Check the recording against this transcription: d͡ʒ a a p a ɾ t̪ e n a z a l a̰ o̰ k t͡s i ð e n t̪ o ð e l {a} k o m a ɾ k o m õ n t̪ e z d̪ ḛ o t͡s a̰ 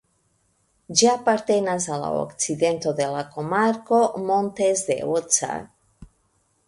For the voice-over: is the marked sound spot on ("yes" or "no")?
yes